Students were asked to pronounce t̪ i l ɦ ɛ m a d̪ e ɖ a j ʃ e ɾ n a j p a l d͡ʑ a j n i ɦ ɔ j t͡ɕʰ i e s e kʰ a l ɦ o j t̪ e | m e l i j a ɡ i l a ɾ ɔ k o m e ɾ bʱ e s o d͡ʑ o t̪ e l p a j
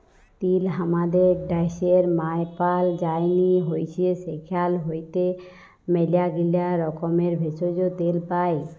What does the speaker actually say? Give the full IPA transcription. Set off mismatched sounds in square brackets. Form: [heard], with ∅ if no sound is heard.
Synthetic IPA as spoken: t̪ i l ɦ [a] m a d̪ e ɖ a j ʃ e ɾ [m] a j p a l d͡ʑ a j n i ɦ [o] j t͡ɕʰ i e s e kʰ a l ɦ o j t̪ e | m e l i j a ɡ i l a ɾ ɔ k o m e ɾ bʱ e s o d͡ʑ o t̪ e l p a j